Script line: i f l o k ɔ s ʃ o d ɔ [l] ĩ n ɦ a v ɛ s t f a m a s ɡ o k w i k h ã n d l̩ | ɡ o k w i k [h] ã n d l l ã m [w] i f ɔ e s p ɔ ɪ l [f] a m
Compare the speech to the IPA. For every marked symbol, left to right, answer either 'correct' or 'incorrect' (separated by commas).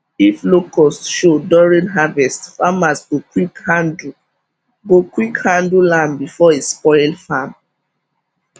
incorrect, correct, incorrect, correct